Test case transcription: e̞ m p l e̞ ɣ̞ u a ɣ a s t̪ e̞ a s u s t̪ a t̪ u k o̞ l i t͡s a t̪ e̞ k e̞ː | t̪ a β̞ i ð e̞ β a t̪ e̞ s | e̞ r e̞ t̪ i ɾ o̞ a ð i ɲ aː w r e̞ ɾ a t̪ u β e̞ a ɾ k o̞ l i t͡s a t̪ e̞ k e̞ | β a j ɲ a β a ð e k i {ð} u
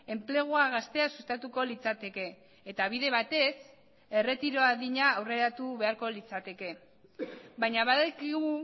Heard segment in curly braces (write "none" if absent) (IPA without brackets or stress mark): ɣ